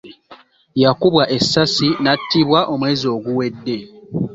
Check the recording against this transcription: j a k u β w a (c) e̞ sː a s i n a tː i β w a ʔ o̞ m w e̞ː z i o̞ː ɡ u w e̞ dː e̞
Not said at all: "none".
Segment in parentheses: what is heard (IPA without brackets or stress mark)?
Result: ʔ